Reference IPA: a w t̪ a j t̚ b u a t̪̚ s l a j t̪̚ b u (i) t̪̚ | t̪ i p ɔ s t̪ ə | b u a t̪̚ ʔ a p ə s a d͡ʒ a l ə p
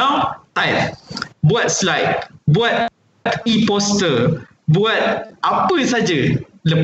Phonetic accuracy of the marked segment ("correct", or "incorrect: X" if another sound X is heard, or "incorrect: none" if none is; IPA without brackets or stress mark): incorrect: a